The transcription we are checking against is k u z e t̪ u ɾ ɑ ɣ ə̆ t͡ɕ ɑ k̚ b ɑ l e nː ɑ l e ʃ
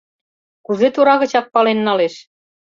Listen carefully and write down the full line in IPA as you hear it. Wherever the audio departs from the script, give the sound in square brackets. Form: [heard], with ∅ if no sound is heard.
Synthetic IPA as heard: k u z e t̪ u ɾ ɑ ɣ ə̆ t͡ɕ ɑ k̚ [p] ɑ l e nː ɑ l e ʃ